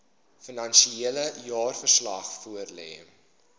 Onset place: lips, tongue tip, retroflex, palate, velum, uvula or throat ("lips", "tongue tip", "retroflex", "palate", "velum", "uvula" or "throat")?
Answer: lips